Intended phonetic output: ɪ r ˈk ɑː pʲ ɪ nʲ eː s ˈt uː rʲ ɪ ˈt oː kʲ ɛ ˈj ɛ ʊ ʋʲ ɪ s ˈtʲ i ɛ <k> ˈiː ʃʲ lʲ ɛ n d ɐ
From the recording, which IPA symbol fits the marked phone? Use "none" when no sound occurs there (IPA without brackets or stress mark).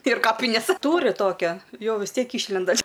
k